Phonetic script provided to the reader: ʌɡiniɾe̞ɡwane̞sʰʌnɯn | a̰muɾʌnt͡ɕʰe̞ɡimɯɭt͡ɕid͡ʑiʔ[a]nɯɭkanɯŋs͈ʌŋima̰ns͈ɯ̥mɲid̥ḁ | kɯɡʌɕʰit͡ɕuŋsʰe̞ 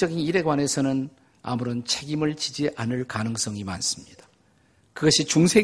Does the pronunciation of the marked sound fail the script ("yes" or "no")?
no